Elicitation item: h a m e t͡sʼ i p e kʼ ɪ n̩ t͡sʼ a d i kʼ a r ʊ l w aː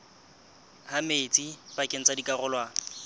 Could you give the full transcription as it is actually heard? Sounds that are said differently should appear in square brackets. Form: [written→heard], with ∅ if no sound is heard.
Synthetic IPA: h a m e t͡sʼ i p [e→a] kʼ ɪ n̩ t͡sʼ a d i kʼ a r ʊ l w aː